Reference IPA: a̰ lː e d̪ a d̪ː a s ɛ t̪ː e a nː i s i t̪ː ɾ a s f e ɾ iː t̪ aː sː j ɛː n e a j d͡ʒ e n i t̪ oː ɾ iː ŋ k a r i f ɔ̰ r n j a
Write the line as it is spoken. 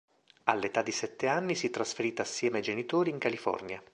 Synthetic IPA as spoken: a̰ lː e t̪ a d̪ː i s ɛ t̪ː e a nː i s i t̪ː ɾ a s f e ɾ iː t̪ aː sː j ɛː m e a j d͡ʒ e n i t̪ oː ɾ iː ŋ k a l i f ɔ̰ r n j a